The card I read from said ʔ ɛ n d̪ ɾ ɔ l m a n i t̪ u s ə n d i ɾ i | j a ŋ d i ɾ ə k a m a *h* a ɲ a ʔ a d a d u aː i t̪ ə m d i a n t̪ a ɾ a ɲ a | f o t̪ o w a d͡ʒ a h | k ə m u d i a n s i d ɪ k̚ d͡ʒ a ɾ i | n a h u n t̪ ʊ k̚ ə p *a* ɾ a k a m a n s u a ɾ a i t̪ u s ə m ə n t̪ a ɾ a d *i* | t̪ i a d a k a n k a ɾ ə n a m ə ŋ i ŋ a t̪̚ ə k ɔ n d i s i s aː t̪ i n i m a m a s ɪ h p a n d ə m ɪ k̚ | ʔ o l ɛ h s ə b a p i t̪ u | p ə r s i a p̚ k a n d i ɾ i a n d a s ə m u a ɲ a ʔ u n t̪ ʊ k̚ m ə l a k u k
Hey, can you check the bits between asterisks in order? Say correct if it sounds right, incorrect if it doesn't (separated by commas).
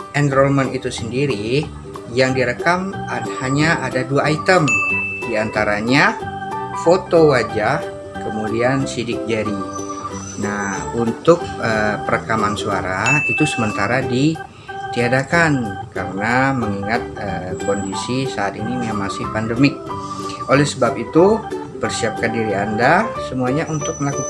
correct, incorrect, correct